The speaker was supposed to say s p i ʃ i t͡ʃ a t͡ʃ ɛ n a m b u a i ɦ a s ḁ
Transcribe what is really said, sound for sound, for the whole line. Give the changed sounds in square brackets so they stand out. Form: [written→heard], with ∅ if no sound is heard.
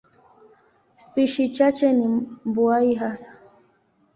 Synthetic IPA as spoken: s p i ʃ i t͡ʃ a t͡ʃ ɛ n [a→i] m b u a i ɦ a s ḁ